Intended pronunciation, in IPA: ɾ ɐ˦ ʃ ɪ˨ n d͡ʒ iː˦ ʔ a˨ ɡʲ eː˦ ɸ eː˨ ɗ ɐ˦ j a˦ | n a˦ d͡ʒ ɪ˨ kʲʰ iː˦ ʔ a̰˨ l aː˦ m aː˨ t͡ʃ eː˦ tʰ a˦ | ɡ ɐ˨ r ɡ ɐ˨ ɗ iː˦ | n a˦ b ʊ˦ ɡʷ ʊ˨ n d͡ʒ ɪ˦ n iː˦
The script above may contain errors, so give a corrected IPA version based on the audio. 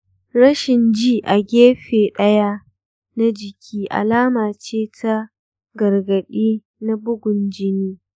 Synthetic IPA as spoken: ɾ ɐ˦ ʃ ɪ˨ n d͡ʒ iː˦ ʔ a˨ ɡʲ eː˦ ɸ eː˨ ɗ ɐ˦ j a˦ | n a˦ d͡ʒ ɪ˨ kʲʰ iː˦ ʔ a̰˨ l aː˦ m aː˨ t͡ʃ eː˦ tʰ a˦ | ɡ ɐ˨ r ɡ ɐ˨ ɗ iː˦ | n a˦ b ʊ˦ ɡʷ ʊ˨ n d͡ʒ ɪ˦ n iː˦